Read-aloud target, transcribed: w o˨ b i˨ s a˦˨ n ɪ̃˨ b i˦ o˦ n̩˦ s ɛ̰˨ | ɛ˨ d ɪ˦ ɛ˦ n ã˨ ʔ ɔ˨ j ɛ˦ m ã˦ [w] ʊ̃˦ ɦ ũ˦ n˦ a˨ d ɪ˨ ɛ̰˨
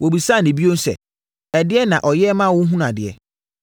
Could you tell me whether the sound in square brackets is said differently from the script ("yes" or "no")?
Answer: no